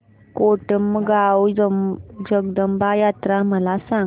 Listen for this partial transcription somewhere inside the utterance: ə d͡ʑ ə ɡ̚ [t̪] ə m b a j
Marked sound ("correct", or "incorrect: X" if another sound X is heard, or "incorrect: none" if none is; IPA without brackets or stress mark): incorrect: d̪